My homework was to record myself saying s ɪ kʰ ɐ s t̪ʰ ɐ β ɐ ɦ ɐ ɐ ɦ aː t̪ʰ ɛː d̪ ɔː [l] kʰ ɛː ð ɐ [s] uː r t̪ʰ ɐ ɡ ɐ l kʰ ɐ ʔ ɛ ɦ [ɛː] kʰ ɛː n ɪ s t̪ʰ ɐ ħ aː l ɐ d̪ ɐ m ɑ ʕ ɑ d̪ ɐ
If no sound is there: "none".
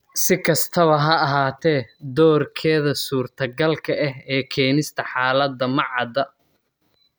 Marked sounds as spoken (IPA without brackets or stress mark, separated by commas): r, s, ɛː